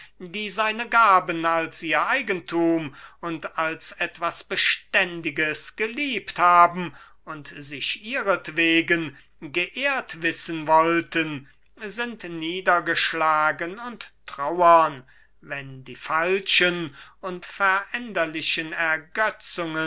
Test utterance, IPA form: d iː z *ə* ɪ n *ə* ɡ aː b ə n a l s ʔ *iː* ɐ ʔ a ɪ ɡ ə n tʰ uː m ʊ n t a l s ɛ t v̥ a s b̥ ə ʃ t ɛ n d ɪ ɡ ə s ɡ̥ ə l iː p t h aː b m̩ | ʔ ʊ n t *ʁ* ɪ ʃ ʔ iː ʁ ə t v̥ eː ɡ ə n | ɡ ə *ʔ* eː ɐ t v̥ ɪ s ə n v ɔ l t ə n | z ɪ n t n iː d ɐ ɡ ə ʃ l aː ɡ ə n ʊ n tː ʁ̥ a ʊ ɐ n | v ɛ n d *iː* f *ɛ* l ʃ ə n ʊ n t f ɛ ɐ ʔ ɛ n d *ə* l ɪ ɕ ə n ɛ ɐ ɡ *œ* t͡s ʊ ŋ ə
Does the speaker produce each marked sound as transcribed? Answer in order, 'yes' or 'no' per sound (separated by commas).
no, yes, yes, no, yes, yes, no, no, yes